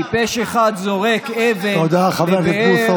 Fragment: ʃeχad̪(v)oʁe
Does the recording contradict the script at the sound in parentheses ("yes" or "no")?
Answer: yes